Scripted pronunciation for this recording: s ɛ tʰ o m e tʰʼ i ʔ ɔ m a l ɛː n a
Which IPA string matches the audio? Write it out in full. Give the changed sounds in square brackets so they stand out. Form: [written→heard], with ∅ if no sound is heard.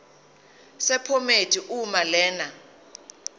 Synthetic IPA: s ɛ [tʰ→pʰ] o m e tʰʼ i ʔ [ɔ→u] m a l ɛː n a